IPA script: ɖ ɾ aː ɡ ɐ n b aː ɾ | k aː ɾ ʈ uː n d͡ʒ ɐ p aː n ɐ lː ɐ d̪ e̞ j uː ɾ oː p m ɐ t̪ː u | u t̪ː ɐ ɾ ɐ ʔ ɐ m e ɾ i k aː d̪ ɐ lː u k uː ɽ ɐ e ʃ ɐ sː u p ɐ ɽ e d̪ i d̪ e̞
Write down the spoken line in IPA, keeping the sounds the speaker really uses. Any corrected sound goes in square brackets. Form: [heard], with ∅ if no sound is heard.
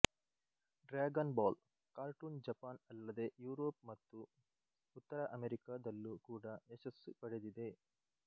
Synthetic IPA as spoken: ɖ ɾ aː ɡ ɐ n b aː [l] | k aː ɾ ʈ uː n d͡ʒ ɐ p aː n ɐ lː ɐ d̪ e̞ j uː ɾ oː p m ɐ t̪ː u | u t̪ː ɐ ɾ ɐ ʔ ɐ m e ɾ i k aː d̪ ɐ lː u k uː ɽ ɐ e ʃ ɐ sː u p ɐ ɽ e d̪ i d̪ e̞